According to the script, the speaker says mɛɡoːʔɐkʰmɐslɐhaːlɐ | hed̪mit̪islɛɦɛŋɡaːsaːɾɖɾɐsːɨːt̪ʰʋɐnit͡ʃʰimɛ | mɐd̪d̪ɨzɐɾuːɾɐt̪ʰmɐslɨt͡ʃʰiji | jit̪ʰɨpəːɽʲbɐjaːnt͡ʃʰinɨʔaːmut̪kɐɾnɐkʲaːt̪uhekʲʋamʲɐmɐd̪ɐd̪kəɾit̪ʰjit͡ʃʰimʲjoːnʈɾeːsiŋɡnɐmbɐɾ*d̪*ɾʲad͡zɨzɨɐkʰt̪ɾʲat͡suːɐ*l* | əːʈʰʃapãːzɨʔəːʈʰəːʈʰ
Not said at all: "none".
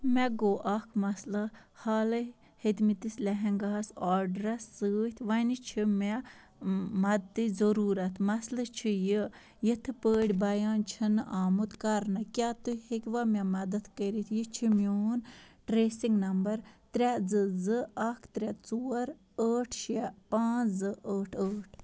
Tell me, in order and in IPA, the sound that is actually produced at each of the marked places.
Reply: t̪, ɾ

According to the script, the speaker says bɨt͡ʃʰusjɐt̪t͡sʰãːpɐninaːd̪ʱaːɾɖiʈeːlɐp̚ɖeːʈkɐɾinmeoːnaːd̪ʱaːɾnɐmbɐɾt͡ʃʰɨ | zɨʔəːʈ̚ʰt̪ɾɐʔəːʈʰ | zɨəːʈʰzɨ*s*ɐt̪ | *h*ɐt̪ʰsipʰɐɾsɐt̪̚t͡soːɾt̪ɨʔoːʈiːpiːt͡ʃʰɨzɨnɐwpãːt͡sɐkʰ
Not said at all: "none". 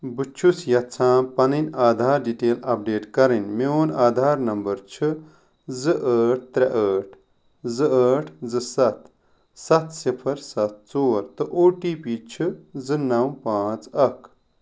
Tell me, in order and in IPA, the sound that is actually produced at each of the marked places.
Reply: s, s

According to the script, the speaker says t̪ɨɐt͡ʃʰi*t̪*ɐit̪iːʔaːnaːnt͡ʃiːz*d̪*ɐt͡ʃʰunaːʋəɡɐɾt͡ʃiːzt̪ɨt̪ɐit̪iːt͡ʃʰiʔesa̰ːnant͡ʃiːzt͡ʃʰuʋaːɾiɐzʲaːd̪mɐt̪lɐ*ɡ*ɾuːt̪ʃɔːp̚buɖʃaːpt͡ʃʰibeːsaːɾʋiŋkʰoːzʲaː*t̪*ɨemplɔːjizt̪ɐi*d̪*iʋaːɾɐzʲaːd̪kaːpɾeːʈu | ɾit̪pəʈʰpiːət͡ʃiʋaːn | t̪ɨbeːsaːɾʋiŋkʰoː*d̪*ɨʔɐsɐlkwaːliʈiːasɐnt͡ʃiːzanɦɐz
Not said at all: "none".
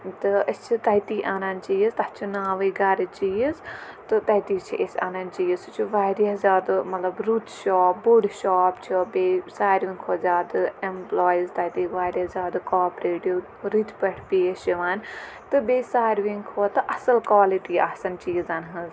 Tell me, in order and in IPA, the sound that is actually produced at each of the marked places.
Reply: t̪, t̪, b, d̪, t̪, t̪

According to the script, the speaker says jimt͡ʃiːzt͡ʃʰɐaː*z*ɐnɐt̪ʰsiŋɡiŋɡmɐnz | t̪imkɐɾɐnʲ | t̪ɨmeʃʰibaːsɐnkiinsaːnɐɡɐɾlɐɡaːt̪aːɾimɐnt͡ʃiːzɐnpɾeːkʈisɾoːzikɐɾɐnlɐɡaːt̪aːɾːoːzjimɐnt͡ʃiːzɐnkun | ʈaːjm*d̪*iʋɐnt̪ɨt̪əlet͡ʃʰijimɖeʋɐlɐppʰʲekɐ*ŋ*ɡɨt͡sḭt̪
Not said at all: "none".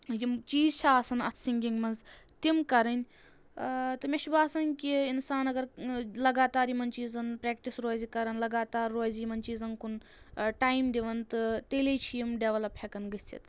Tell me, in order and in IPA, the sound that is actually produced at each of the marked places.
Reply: s, d̪, n

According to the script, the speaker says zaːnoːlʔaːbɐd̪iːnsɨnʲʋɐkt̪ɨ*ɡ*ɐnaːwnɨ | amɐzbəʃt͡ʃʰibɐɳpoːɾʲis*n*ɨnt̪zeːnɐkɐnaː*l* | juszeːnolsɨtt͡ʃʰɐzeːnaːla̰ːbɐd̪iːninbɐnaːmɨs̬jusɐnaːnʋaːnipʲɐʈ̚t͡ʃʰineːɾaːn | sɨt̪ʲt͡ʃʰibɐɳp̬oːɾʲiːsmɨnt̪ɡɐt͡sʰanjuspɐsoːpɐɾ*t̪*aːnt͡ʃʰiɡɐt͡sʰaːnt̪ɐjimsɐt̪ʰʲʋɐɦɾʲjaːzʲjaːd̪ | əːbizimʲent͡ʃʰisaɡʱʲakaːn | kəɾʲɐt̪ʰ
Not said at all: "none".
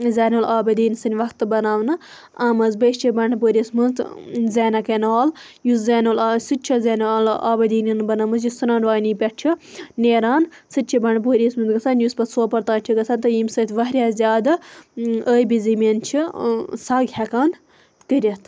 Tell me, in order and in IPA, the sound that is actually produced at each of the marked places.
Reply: b, m, l, t̪

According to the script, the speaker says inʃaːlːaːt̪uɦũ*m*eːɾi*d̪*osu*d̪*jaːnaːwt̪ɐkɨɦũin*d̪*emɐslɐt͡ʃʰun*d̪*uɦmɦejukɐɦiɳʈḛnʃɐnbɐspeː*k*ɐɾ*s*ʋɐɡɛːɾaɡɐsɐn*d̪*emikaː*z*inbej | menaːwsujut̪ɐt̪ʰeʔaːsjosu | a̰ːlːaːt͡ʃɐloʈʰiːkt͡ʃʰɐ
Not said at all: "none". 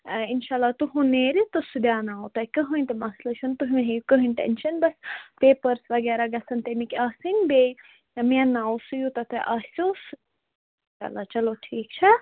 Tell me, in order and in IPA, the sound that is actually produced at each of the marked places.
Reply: n, t̪, d̪, t̪, t̪, p, s, t̪, s

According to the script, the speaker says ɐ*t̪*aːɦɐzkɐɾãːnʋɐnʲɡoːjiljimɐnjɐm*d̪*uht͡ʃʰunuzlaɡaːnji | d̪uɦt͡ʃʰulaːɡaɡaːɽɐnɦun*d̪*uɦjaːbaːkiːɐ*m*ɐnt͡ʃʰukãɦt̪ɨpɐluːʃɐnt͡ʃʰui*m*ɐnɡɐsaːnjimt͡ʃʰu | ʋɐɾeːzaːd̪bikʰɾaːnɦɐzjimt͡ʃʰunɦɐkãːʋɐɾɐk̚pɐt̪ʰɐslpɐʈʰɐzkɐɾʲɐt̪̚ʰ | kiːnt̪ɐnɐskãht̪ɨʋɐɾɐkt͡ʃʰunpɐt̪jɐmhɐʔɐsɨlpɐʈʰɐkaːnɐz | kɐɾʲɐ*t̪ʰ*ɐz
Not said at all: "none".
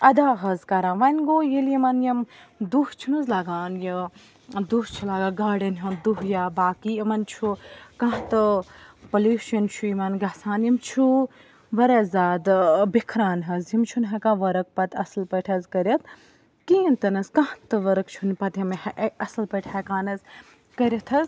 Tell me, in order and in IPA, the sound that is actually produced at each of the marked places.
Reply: d̪, d̪, d̪, m, m, t̪ʰ

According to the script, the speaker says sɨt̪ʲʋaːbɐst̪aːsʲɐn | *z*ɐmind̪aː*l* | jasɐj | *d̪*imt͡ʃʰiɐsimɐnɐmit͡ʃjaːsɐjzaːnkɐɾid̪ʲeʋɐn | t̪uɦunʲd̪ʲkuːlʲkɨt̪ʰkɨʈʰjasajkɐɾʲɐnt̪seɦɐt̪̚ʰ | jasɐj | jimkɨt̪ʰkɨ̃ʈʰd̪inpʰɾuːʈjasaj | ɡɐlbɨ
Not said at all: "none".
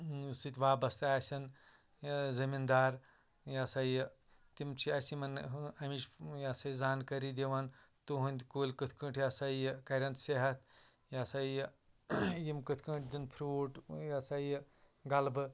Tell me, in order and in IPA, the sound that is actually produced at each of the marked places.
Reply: z, ɾ, t̪

